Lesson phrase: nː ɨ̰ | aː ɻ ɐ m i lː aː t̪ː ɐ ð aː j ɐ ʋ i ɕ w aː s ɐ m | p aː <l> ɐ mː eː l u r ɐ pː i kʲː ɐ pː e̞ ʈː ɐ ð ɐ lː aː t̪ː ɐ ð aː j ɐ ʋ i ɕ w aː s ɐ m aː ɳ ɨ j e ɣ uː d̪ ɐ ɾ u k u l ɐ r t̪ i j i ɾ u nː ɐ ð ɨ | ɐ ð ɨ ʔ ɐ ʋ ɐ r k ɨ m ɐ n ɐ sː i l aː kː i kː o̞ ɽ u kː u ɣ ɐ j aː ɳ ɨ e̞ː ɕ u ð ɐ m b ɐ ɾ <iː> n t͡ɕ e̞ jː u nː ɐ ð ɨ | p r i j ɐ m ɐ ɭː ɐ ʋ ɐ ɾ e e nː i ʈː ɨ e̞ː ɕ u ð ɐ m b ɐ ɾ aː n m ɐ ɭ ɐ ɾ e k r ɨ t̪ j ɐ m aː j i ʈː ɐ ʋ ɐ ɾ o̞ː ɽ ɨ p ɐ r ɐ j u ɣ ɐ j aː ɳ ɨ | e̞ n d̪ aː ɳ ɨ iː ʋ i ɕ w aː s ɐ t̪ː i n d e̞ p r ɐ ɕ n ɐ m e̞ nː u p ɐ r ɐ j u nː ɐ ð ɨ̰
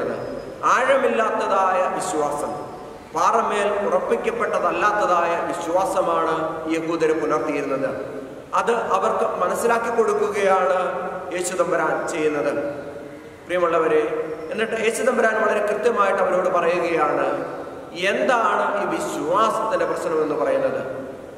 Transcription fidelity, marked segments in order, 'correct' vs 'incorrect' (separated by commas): incorrect, incorrect